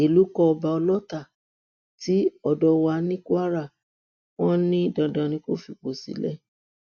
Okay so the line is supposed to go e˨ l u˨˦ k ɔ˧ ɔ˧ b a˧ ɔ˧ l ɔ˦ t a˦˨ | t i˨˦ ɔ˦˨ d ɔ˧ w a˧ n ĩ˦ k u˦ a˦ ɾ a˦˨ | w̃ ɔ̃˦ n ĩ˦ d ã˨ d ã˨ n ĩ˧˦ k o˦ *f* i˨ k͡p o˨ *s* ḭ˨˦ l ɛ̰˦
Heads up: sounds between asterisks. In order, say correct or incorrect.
correct, correct

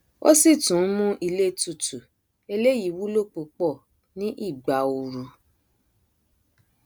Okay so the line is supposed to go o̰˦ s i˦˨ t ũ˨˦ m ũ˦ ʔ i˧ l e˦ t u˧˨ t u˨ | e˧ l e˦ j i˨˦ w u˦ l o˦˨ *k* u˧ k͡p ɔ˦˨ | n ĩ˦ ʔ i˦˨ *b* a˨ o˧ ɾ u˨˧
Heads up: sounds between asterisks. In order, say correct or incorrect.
incorrect: k͡p, incorrect: ɡ͡b

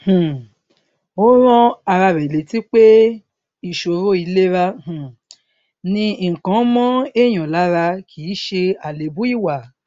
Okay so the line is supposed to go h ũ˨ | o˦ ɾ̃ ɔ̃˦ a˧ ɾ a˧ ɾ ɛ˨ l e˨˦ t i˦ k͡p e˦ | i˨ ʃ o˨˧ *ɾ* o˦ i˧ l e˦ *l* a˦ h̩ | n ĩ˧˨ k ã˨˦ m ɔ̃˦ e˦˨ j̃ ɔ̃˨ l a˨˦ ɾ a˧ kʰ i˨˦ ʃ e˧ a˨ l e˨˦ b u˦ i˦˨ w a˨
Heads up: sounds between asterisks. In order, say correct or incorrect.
correct, incorrect: ɾ

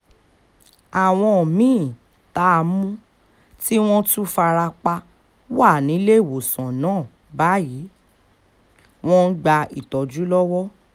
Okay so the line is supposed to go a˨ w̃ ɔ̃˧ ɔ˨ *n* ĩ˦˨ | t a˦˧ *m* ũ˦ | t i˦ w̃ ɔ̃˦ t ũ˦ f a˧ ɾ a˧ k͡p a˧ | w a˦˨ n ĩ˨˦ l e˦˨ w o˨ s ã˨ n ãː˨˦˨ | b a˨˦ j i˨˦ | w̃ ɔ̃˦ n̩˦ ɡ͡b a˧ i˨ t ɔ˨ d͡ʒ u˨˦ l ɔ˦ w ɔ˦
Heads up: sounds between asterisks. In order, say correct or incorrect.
incorrect: m, correct

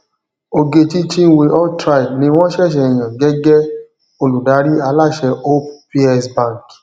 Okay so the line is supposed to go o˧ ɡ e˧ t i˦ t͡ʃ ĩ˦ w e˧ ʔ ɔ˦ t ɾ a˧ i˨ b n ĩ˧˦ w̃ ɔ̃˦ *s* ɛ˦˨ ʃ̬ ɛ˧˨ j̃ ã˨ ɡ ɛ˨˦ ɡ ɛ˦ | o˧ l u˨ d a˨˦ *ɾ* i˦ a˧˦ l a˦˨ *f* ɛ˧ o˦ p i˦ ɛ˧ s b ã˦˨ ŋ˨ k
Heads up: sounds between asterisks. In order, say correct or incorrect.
incorrect: ʃ, correct, incorrect: ʃ

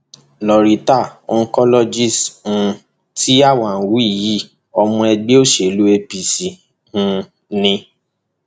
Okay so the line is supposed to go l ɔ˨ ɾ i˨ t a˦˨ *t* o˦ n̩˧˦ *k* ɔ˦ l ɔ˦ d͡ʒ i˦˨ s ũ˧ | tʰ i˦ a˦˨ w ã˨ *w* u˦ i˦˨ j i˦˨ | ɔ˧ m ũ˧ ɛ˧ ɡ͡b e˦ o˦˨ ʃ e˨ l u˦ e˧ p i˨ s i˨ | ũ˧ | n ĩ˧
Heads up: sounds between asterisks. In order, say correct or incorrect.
incorrect: none, correct, correct

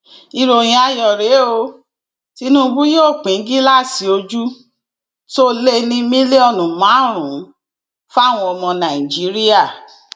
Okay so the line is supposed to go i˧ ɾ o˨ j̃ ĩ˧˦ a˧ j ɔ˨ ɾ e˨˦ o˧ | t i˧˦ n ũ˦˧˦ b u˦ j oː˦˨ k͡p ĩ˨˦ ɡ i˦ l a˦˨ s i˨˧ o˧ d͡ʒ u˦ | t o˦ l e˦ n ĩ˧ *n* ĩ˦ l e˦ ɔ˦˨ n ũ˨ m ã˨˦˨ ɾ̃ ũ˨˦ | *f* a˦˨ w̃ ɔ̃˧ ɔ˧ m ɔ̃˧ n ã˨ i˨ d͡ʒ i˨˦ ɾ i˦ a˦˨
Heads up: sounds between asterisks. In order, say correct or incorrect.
incorrect: m, correct

